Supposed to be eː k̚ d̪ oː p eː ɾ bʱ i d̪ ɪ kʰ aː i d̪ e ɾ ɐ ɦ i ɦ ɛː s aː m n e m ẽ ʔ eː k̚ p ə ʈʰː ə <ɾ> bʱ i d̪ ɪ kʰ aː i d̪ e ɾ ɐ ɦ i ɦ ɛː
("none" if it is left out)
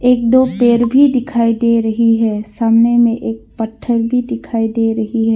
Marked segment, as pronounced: ɾ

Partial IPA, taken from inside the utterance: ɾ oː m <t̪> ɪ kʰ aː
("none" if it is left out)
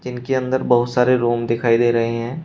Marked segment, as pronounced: d̪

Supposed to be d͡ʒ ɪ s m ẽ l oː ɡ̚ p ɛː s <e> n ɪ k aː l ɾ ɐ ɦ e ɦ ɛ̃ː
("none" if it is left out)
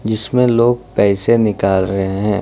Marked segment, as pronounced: e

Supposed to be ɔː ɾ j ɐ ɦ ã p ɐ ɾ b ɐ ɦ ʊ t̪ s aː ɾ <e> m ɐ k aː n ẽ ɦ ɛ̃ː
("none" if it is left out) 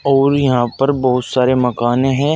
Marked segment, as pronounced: e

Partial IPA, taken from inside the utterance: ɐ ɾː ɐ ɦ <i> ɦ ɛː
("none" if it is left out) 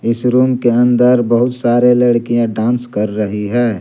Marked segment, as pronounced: i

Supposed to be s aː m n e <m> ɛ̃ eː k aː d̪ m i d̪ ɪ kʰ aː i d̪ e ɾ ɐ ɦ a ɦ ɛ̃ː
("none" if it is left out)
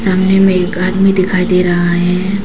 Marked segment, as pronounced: m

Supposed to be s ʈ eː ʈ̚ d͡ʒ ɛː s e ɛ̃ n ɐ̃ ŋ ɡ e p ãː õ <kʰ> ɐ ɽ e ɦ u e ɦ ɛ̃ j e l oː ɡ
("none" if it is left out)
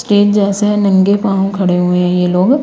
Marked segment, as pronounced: kʰ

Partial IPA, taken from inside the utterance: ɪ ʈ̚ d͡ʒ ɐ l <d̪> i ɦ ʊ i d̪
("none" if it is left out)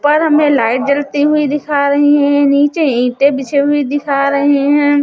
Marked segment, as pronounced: t̪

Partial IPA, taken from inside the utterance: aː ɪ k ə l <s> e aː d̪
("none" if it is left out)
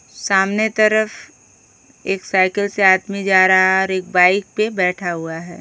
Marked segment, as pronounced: s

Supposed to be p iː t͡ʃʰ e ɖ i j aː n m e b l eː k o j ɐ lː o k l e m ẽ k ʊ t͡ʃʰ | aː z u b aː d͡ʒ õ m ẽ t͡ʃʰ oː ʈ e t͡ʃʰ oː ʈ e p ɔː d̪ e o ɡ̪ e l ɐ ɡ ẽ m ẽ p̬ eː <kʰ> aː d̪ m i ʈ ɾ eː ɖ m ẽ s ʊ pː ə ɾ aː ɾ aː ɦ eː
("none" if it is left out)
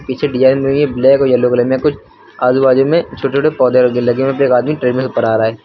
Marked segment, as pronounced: k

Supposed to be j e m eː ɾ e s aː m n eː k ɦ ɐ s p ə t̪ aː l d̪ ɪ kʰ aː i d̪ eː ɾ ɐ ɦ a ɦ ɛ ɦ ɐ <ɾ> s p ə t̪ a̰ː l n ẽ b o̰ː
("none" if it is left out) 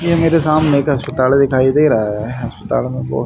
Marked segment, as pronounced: none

